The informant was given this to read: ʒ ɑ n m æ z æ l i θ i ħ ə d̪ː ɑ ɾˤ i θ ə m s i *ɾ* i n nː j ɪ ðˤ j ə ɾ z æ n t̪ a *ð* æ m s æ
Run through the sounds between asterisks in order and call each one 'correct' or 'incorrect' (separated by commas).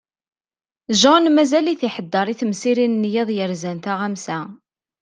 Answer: correct, incorrect